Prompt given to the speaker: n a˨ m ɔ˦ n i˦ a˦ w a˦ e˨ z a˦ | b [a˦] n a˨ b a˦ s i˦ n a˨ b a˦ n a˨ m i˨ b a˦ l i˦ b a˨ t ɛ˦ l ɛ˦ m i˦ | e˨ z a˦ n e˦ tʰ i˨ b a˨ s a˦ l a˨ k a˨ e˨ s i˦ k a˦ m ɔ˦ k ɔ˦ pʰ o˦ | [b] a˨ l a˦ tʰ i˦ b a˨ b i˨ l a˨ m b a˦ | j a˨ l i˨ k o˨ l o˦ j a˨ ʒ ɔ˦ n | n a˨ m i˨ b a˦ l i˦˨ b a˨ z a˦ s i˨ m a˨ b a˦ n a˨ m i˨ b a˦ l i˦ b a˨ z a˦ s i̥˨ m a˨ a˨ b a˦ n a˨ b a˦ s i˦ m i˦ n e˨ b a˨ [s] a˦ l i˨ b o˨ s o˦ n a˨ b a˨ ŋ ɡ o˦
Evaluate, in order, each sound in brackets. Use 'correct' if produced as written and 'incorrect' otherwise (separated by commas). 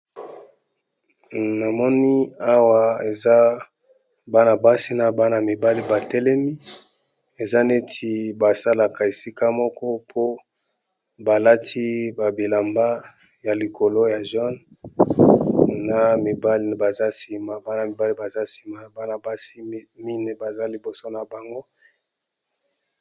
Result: correct, correct, incorrect